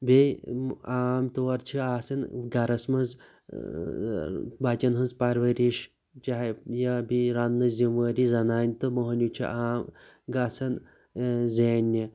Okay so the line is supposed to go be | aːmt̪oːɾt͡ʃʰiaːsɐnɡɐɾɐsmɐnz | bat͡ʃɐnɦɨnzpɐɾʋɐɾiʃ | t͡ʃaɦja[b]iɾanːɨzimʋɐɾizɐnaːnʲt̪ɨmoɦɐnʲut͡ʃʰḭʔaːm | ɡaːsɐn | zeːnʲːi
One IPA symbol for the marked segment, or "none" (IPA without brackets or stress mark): b